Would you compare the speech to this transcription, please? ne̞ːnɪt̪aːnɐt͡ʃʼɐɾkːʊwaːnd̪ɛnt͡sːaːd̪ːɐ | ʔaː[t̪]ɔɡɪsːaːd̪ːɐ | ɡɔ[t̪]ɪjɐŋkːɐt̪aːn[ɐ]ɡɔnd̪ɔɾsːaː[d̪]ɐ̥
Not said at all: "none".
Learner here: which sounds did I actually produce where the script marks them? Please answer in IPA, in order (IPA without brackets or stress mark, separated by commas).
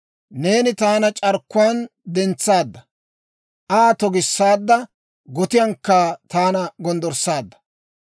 t̪, t̪, ɐ, d̪ː